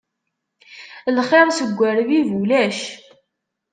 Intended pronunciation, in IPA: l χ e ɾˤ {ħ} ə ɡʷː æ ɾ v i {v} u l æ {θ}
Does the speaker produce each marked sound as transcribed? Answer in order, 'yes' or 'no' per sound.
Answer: no, yes, no

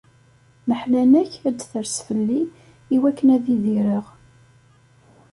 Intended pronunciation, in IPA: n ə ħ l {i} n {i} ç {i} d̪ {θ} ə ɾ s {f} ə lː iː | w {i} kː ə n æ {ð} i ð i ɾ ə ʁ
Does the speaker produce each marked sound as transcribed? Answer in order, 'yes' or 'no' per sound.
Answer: no, no, no, yes, yes, no, yes

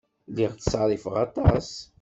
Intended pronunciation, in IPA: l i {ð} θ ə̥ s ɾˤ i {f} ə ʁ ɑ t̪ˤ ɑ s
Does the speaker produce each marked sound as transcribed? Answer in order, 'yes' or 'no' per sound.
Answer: no, yes

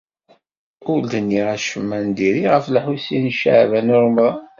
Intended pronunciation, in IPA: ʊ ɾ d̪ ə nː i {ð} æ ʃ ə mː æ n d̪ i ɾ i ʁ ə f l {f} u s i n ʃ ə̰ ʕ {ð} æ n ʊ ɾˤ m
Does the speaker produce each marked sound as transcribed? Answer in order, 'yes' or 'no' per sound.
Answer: no, no, no

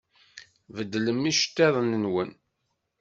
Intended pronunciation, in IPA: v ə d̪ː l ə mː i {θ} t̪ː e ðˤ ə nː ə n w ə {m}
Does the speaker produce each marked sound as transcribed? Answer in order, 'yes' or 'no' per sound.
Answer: no, no

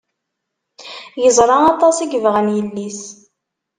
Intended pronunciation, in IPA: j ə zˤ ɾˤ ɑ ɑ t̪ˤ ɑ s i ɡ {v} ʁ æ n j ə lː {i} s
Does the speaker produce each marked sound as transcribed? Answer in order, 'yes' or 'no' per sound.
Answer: yes, yes

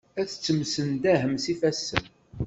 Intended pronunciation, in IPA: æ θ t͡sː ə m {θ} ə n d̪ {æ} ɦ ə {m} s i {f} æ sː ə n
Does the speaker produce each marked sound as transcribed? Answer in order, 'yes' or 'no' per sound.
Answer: no, yes, yes, yes

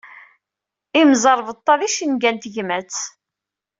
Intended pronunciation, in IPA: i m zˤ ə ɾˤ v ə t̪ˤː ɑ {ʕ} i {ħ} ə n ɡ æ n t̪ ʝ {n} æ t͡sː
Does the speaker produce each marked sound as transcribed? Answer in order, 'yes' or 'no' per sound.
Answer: no, no, no

